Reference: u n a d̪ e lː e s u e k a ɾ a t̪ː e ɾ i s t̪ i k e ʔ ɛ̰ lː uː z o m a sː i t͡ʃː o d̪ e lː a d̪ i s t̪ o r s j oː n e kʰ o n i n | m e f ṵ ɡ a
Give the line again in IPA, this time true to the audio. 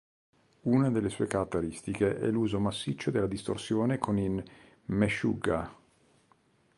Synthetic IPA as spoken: u n a d̪ e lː e s u e k a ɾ a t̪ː e ɾ i s t̪ i k e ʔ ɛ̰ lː uː z o m a sː i t͡ʃː o d̪ e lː a d̪ i s t̪ o r s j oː n e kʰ o n i n | m e ʃ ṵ ɡ a